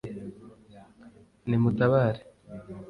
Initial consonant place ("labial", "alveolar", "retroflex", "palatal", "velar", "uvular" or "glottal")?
alveolar